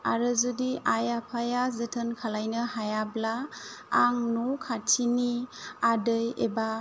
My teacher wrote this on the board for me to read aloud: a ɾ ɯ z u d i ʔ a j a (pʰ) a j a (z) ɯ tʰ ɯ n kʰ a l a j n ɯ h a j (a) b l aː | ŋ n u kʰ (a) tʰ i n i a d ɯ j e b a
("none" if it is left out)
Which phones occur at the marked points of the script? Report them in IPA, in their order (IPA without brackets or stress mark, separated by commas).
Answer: pʰ, z, a, a